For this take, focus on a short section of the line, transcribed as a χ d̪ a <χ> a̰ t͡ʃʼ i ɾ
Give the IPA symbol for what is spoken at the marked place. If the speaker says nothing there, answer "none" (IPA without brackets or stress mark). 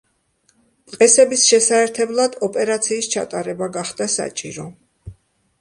s